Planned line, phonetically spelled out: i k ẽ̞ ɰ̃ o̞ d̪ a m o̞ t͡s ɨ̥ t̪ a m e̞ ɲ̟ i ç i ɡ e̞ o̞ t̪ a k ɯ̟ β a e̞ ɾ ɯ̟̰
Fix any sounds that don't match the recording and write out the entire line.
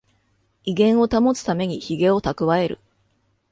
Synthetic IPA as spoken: i ɡ ẽ̞ ɰ̃ o̞ t̪ a m o̞ t͡s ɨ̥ t̪ a m e̞ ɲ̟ i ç i ɡ e̞ o̞ t̪ a k ɯ̟ β a e̞ ɾ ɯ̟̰